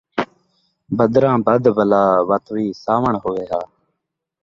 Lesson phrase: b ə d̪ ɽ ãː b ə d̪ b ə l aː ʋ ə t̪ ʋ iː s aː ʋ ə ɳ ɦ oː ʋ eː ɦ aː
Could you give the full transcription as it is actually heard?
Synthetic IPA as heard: b ə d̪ ɾ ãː b ə d̪ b ə l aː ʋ ə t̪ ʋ iː s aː ʋ ə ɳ ɦ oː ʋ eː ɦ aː